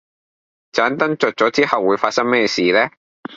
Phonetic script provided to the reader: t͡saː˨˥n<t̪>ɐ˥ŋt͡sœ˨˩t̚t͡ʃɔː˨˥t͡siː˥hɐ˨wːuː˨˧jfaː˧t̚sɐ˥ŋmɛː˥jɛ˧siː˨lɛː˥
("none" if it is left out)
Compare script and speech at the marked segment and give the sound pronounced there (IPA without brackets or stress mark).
t̪